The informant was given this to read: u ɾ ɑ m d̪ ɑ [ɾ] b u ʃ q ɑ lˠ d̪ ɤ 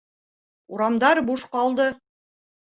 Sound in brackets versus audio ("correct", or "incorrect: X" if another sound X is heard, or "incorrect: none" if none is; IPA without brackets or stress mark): correct